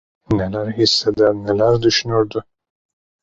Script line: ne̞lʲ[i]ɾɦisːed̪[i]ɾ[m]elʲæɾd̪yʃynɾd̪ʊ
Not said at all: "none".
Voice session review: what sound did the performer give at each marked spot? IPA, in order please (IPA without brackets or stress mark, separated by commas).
æ, æ, n